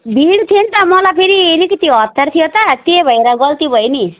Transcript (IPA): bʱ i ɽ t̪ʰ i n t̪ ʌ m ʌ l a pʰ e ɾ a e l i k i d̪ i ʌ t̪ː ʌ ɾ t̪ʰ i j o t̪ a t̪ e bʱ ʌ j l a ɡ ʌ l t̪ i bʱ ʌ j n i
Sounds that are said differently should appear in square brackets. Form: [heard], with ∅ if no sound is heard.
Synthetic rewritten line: bʱ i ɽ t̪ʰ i n t̪ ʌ m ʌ l a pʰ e ɾ [i] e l i k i [t̪] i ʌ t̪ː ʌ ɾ t̪ʰ i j o t̪ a t̪ e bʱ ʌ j [ɾ] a ɡ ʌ l t̪ i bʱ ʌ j n i

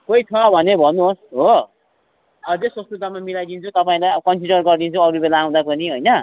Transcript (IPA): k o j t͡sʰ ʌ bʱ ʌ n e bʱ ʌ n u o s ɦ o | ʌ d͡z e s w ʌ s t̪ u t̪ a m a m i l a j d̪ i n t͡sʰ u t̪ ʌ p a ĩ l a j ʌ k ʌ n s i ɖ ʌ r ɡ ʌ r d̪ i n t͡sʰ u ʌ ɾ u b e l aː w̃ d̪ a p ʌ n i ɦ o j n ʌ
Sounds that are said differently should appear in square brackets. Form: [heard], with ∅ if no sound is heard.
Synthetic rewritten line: k o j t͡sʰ ʌ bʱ ʌ n e bʱ ʌ n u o s ɦ o | ʌ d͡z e s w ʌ s t̪ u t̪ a m a m i l a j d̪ i n t͡sʰ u t̪ ʌ p a ĩ l a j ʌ k ʌ n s i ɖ ʌ r ɡ ʌ r d̪ i n t͡sʰ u ʌ ɾ u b e l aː w̃ d̪ a p ʌ n i ɦ o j n ʌ

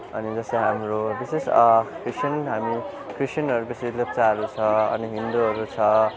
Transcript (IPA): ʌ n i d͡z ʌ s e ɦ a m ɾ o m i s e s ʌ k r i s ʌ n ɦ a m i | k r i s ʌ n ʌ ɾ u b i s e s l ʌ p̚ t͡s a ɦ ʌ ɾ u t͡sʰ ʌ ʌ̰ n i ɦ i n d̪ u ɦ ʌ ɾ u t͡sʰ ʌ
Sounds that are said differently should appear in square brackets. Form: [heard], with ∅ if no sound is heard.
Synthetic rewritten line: ʌ n i d͡z ʌ s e ɦ a m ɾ o [b] i s e s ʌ k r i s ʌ n ɦ a m i | k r i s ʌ n ʌ ɾ u b i s e s l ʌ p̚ t͡s a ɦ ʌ ɾ u t͡sʰ ʌ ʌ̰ n i ɦ i n d̪ u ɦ ʌ ɾ u t͡sʰ ʌ

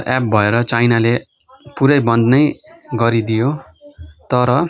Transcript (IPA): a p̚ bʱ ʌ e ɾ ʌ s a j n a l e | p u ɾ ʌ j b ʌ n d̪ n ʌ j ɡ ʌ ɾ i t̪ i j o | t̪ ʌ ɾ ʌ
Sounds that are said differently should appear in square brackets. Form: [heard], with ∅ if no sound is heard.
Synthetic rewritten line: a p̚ bʱ ʌ e ɾ ʌ [t͡s] a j n a l e | p u ɾ ʌ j b ʌ n d̪ n ʌ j ɡ ʌ ɾ i [d̪] i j o | t̪ ʌ ɾ ʌ

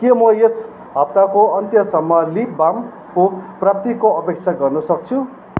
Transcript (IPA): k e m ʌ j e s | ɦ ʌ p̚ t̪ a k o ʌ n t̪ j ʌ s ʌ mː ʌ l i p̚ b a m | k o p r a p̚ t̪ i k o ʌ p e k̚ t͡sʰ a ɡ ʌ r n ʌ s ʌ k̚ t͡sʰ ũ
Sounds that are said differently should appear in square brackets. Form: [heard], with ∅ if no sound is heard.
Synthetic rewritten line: k e m ʌ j e s | ɦ ʌ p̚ t̪ a k o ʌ n t̪ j ʌ s ʌ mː ʌ l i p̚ b a m | k o p r a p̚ t̪ i k o ʌ p e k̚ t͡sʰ a ɡ ʌ r n ʌ s ʌ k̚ t͡sʰ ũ

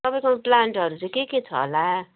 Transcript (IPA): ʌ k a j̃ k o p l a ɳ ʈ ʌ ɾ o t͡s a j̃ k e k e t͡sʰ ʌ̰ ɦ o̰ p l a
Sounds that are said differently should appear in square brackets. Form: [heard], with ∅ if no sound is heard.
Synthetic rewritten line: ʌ [p] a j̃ k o p l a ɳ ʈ ʌ ɾ [u] t͡s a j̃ k e k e t͡sʰ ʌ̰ ɦ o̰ [∅] l a

